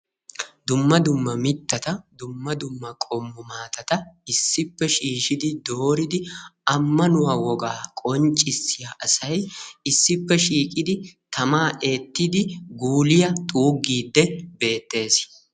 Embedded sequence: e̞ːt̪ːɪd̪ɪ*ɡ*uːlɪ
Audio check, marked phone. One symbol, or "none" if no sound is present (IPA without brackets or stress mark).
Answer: ɡ